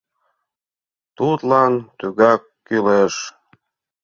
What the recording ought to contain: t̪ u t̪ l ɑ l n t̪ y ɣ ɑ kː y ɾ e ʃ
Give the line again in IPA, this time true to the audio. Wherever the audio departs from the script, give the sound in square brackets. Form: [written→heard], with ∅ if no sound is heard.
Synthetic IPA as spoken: t̪ u t̪ l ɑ [l→∅] n t̪ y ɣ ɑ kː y [ɾ→l] e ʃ